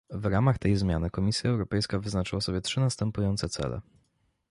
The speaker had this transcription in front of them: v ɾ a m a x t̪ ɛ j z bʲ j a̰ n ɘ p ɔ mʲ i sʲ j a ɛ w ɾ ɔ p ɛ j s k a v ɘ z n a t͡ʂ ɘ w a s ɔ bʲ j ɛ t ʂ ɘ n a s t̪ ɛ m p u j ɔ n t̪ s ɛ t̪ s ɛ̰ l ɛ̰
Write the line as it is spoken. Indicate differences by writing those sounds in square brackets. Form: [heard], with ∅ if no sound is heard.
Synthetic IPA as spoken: v ɾ a m a x t̪ ɛ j z [mʲ] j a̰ n ɘ [k] ɔ mʲ i sʲ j a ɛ w ɾ ɔ p ɛ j s k a v ɘ z n a t͡ʂ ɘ w a s ɔ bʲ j ɛ t ʂ ɘ n a s t̪ ɛ m p u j ɔ n t̪ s ɛ t̪ s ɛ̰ l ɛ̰